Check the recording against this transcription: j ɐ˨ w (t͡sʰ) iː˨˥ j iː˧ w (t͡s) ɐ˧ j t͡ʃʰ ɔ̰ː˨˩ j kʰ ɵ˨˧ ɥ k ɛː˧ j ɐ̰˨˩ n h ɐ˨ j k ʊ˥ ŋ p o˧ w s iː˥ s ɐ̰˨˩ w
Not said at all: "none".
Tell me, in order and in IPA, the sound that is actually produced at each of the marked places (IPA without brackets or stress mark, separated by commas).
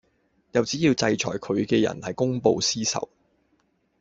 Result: t͡s, t͡s